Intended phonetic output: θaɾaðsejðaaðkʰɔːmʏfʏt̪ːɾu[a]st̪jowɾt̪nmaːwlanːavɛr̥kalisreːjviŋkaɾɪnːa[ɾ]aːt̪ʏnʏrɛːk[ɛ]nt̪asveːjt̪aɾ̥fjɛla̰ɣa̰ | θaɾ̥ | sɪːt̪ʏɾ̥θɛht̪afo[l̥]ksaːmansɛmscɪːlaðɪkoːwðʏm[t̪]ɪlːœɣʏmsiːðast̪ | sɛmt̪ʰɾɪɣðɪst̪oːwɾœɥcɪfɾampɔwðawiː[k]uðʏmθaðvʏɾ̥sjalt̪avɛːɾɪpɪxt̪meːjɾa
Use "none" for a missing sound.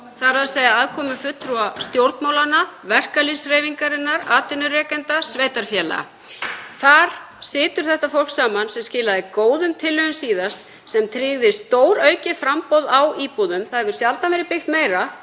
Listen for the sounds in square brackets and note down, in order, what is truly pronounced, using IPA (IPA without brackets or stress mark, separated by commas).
a, ɾ, ɛ, l̥, t̪ʰ, p